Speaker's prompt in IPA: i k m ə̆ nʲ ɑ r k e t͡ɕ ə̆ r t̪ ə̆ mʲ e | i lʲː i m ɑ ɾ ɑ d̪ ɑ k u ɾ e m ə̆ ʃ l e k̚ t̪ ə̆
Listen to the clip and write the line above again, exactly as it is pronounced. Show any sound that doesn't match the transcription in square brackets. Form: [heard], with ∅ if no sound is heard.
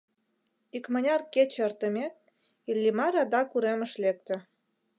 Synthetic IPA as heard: i k m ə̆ nʲ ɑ r k e t͡ɕ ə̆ r t̪ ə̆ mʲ e | i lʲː i m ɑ ɾ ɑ d̪ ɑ k u ɾ e m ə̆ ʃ l e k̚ t̪ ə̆